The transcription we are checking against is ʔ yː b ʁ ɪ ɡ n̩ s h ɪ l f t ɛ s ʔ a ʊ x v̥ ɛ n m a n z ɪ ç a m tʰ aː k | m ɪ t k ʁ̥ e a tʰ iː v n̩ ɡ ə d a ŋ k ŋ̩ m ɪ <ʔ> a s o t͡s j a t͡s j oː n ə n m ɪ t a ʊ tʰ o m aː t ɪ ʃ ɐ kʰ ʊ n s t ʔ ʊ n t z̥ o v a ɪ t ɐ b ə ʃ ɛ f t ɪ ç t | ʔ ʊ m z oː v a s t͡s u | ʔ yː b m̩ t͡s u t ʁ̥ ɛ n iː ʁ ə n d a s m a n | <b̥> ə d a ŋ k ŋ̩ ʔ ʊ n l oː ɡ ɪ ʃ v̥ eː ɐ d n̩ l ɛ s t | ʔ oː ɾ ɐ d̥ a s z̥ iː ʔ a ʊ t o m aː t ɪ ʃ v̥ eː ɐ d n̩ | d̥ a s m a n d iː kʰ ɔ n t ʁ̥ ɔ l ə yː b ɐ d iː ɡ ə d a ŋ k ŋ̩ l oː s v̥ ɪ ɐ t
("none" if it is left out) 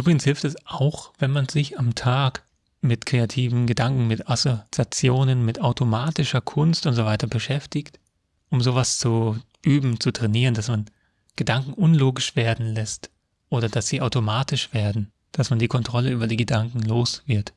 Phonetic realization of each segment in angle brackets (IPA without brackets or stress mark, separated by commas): t, ɡ̥